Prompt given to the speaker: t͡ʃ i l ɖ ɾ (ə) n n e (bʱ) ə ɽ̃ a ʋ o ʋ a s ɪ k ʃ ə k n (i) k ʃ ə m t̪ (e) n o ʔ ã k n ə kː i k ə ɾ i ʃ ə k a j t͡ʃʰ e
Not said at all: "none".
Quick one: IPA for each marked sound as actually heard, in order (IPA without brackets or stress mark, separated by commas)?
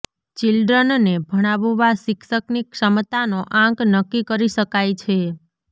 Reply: ə, bʱ, i, a